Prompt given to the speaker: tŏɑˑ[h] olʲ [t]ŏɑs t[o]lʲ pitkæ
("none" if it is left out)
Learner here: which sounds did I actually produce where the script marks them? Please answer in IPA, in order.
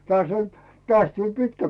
s, t, u

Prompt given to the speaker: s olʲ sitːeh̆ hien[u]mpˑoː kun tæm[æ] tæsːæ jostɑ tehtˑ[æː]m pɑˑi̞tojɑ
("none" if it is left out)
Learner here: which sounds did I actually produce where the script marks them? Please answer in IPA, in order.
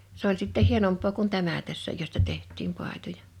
o, æ, iː

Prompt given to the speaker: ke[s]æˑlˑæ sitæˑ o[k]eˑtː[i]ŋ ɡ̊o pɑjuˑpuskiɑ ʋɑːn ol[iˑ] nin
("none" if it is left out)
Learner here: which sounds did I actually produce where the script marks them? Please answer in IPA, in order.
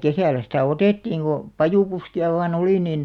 s, t, iː, iˑ

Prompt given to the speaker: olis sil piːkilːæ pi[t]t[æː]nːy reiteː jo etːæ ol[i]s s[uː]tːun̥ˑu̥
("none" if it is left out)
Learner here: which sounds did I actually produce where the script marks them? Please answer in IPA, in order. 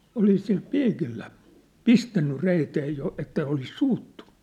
s, æ, i, uː

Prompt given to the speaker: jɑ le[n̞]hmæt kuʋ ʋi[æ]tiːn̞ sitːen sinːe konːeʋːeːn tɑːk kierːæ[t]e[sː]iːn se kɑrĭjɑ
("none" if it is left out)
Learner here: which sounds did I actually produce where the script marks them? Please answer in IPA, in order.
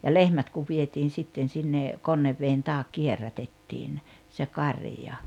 none, e, t, tː

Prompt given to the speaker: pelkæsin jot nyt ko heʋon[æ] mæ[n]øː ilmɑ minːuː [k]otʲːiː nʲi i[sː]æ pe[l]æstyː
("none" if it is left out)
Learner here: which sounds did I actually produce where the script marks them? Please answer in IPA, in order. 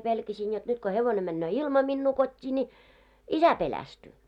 e, nː, k, s, l

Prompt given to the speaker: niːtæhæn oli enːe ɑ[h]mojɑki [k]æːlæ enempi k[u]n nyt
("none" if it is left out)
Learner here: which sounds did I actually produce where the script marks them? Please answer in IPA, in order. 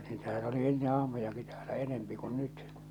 h, t, u

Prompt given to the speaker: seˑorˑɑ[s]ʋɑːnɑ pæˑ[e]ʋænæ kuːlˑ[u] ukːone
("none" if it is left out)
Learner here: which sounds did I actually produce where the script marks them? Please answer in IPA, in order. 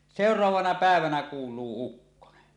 none, e, uː

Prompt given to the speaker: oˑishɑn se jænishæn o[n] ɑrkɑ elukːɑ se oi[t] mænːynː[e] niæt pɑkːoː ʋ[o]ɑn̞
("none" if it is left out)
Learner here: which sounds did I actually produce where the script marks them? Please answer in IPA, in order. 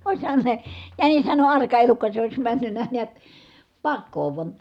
n, s, æ, u

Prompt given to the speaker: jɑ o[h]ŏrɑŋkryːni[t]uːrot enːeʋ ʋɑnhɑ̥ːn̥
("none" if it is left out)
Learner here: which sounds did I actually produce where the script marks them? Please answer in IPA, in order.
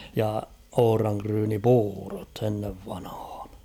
h, p

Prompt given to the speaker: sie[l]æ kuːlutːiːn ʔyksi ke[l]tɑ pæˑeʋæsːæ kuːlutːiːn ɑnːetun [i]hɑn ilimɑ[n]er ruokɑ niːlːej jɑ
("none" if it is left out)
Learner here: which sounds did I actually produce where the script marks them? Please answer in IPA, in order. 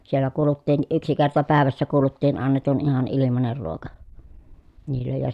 lː, r, i, n

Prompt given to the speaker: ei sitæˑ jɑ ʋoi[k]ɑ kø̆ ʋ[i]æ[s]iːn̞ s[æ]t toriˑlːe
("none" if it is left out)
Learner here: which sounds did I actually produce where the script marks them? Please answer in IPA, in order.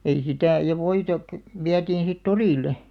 t, i, t, i

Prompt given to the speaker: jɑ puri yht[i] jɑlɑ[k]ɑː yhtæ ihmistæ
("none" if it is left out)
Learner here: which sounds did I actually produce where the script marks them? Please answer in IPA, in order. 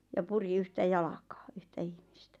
æ, k

